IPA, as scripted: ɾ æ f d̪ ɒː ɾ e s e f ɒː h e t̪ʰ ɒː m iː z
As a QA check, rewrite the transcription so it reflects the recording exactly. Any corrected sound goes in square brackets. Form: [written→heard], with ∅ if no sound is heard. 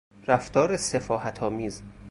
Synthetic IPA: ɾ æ f [d̪→t̪] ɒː ɾ e s e f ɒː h [e→æ] t̪ʰ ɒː m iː z